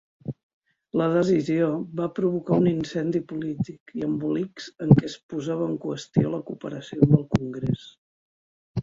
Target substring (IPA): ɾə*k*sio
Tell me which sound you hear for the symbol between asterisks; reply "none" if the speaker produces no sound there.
none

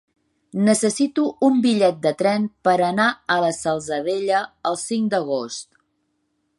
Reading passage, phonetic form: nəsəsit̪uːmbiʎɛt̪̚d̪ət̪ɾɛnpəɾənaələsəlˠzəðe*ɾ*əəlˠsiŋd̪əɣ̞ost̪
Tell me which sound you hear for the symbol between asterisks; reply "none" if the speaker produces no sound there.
ʎ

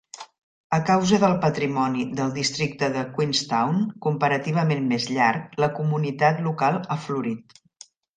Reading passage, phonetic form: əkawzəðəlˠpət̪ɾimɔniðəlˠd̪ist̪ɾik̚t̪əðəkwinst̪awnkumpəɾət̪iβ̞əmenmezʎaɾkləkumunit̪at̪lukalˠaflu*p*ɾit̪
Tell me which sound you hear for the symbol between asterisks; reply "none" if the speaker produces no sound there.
none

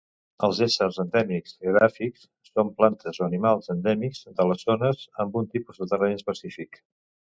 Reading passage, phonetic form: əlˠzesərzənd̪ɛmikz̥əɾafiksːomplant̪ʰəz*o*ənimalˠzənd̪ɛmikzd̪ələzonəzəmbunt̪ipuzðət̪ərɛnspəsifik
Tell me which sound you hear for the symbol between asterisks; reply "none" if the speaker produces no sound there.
o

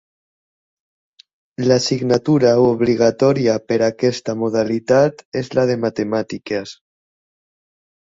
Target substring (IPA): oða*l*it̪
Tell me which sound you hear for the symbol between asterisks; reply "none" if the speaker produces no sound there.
l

